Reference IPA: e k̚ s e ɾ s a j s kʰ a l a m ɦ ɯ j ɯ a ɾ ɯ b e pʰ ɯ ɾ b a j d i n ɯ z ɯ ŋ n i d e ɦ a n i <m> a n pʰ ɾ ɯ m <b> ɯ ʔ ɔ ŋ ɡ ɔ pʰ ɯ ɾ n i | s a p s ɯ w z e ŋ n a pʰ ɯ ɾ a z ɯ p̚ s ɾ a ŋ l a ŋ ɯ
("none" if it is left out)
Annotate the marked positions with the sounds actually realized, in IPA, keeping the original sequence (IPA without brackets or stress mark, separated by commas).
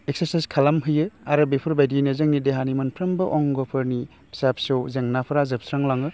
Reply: m, b